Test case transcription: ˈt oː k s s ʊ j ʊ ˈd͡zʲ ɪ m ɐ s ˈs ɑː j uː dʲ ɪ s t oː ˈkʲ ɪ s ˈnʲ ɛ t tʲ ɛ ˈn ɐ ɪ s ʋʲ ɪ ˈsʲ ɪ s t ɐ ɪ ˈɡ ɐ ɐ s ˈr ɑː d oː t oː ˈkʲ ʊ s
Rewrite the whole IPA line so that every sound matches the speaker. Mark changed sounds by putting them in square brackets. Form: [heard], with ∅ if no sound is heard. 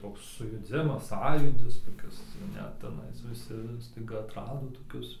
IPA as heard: ˈt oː k s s ʊ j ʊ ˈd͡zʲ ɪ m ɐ s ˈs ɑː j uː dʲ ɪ s t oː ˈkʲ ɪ s ˈnʲ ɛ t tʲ ɛ ˈn ɐ ɪ s ʋʲ ɪ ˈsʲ ɪ s t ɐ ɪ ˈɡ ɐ ɐ [t] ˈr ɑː d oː t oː ˈkʲ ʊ s

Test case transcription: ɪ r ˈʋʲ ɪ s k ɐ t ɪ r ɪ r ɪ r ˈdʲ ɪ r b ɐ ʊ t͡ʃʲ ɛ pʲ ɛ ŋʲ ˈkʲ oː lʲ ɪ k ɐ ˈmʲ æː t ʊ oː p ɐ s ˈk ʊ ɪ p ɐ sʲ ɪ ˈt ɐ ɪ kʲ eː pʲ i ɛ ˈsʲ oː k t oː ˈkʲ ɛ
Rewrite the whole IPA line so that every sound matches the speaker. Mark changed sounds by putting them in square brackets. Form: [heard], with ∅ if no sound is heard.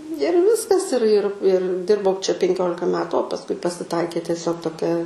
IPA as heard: ɪ r ˈʋʲ ɪ s k ɐ [s] ɪ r ɪ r ɪ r ˈdʲ ɪ r b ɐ ʊ t͡ʃʲ ɛ pʲ ɛ ŋʲ ˈkʲ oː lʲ ɪ k ɐ ˈmʲ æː t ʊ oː p ɐ s ˈk ʊ ɪ p ɐ sʲ ɪ ˈt ɐ ɪ kʲ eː [tʲ] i ɛ ˈsʲ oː k t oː ˈkʲ ɛ

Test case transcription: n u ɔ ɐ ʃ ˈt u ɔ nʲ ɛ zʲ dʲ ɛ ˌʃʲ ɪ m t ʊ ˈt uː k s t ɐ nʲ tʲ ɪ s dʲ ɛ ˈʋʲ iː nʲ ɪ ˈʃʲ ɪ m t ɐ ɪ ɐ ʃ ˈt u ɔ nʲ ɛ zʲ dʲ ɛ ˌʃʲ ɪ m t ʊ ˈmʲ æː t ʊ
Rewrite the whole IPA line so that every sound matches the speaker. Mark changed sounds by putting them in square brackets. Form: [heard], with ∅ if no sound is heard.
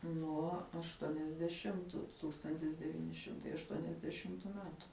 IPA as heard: n u ɔ ɐ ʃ ˈt u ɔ nʲ ɛ zʲ dʲ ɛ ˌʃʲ ɪ m t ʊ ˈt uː k s t ɐ nʲ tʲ ɪ s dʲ ɛ ˈʋʲ iː nʲ ɪ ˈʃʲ ɪ m t ɐ ɪ ɐ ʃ ˈt u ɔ nʲ ɛ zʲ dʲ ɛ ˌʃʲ ɪ m t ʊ ˈmʲ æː t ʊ

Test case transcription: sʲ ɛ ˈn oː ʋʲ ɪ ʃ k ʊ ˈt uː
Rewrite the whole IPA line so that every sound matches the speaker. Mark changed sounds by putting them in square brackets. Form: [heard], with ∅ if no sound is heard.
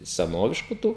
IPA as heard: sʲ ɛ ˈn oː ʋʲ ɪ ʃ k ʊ ˈt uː

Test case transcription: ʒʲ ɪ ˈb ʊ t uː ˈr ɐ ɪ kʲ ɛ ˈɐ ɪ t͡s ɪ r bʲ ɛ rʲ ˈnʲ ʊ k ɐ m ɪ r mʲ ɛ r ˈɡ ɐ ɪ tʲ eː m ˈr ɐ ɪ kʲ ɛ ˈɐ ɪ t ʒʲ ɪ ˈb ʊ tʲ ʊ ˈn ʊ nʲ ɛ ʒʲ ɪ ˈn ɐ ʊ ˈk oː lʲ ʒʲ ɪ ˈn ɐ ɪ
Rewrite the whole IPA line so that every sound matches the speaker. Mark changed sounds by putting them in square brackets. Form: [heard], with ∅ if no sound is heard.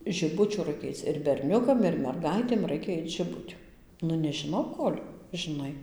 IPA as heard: ʒʲ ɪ ˈb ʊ [t͡ʃʲ] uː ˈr ɐ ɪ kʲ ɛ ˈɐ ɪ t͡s ɪ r bʲ ɛ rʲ ˈnʲ ʊ k ɐ m ɪ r mʲ ɛ r ˈɡ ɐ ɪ tʲ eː m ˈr ɐ ɪ kʲ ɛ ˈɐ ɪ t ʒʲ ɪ ˈb ʊ tʲ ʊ ˈn ʊ nʲ ɛ ʒʲ ɪ ˈn ɐ ʊ ˈk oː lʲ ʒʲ ɪ ˈn ɐ ɪ

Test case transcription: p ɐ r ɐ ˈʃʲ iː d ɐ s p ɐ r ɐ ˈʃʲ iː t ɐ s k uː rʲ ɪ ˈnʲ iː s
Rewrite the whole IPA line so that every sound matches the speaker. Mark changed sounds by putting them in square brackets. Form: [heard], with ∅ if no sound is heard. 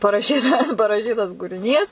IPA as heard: p ɐ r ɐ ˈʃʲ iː [t] ɐ s p ɐ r ɐ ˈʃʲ iː t ɐ s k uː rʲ ɪ ˈnʲ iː s

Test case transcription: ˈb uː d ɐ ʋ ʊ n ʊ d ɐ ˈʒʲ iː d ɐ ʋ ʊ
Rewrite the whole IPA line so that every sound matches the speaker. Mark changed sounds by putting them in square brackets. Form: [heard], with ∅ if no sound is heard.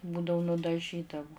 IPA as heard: ˈb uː d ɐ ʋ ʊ n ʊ d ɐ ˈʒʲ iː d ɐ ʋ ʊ

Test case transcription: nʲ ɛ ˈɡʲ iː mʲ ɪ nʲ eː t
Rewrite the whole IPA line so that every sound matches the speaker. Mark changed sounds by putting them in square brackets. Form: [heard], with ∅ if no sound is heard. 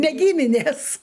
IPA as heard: nʲ ɛ ˈɡʲ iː mʲ ɪ nʲ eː [s]

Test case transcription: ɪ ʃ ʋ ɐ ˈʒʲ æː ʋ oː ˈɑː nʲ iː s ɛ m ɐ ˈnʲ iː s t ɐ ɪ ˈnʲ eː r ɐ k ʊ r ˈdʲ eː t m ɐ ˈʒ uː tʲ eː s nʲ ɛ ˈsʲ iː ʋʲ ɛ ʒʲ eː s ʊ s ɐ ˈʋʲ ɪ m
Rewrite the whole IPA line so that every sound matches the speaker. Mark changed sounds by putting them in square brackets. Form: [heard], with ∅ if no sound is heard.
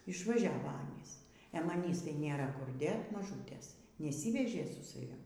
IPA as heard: ɪ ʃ ʋ ɐ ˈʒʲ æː ʋ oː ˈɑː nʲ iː s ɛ m ɐ ˈnʲ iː s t ɐ ɪ ˈnʲ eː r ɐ k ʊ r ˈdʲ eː t m ɐ ˈʒ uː tʲ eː s nʲ ɛ ˈsʲ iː ʋʲ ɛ ʒʲ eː s ʊ s ɐ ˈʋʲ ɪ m

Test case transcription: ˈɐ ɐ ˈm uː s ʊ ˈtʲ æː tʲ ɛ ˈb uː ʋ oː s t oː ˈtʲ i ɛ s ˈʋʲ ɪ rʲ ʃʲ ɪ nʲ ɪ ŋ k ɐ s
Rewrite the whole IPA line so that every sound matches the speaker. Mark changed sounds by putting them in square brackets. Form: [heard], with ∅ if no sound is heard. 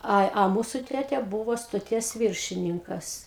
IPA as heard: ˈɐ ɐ ˈm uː s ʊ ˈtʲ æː tʲ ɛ ˈb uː ʋ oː s t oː ˈtʲ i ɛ s ˈʋʲ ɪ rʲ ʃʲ ɪ nʲ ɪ ŋ k ɐ s

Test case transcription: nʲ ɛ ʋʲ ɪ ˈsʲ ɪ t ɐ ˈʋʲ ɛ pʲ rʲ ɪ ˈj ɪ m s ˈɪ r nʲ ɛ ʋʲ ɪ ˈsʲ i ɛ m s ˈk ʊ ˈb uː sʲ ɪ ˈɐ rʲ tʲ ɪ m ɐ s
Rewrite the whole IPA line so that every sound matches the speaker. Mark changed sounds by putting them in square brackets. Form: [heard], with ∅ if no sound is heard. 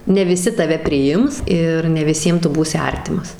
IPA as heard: nʲ ɛ ʋʲ ɪ ˈsʲ ɪ t ɐ ˈʋʲ ɛ pʲ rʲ ɪ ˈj ɪ m s ˈɪ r nʲ ɛ ʋʲ ɪ ˈsʲ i ɛ m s [ˈt] ʊ ˈb uː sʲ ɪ ˈɐ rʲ tʲ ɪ m ɐ s

